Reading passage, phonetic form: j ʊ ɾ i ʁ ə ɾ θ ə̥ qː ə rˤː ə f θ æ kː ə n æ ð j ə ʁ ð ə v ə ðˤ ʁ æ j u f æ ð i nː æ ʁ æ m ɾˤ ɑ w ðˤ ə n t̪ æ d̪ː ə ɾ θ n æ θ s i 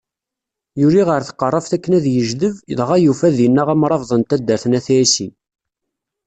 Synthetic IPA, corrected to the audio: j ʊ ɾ i ʁ ə ɾ θ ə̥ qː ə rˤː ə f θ æ kː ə n æ ð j ə ʒ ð ə v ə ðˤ ʁ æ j u f æ ð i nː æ ʁ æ m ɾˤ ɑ v ðˤ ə n t̪ æ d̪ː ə ɾ θ n æ θ s i